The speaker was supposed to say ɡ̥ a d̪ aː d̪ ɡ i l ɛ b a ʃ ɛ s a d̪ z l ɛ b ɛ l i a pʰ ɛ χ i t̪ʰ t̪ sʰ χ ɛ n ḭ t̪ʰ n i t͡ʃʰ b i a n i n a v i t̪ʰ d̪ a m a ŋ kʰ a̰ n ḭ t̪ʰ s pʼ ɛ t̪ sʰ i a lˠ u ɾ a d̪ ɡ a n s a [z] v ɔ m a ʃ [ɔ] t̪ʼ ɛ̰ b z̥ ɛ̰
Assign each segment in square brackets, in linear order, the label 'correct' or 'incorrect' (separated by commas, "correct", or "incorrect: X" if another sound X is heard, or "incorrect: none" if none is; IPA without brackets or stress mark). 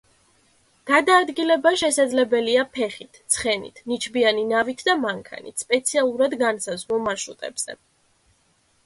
correct, incorrect: u